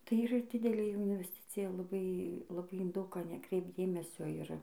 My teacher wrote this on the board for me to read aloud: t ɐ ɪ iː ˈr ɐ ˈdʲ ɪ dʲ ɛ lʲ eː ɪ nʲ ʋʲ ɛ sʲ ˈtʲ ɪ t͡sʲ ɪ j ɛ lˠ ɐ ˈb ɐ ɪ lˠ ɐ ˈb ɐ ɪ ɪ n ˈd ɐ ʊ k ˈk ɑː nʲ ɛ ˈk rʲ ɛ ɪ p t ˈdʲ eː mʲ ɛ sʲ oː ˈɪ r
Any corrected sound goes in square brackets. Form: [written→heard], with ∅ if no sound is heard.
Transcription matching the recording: t ɐ ɪ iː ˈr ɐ ˈdʲ ɪ dʲ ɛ lʲ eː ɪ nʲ ʋʲ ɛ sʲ ˈtʲ ɪ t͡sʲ ɪ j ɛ lˠ ɐ ˈb ɐ ɪ lˠ ɐ ˈb ɐ ɪ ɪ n ˈd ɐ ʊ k ˈk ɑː nʲ ɛ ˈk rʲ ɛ ɪ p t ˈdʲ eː mʲ ɛ sʲ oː ˈɪ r